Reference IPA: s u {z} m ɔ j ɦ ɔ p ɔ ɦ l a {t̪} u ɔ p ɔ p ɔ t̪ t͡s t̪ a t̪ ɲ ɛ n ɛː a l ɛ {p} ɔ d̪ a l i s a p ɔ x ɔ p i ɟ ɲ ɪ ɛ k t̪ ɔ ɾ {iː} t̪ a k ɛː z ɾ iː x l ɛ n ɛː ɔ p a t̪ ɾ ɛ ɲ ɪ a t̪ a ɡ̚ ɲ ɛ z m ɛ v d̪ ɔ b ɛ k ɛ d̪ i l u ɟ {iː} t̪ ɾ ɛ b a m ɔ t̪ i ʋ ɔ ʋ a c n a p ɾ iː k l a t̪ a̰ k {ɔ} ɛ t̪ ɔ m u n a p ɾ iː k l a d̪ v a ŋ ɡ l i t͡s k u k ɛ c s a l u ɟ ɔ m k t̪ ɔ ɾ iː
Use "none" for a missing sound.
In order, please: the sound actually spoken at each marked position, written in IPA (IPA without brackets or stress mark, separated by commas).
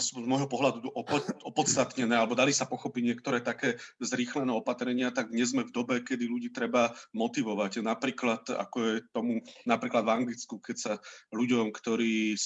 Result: z, d̪, b, ɛː, iː, ɔ